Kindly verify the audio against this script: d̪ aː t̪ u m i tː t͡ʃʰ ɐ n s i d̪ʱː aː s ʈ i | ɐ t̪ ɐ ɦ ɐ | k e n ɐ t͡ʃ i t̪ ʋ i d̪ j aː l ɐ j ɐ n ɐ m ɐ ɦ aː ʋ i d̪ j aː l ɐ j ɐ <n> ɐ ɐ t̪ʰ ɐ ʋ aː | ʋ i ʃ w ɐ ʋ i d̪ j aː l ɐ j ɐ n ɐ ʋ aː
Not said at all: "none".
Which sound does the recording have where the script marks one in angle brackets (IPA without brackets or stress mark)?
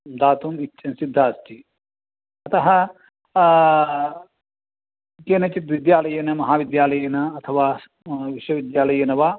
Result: n